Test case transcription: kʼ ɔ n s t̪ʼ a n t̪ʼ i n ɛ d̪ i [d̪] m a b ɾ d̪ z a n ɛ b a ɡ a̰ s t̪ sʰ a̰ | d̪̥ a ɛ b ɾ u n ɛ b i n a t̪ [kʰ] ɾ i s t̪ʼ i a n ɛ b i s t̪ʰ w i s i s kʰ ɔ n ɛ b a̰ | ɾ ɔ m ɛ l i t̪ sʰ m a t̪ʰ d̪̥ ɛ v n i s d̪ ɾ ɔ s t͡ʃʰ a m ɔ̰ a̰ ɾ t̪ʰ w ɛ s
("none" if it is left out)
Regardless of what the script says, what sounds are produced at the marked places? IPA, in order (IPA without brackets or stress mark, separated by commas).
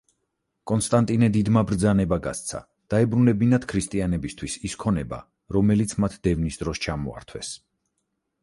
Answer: d̪, kʰ